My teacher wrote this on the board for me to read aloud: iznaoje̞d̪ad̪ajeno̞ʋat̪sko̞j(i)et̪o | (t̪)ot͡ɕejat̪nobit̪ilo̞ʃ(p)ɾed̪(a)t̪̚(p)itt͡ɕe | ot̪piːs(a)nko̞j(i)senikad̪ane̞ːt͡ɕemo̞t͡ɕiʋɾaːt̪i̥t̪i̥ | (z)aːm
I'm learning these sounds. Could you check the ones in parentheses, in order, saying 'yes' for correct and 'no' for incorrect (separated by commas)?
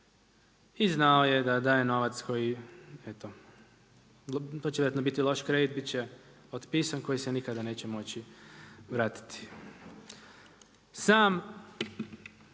yes, yes, no, no, no, yes, yes, no